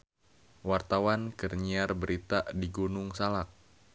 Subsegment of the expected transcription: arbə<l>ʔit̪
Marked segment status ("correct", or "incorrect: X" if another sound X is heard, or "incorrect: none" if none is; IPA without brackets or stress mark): incorrect: ɾ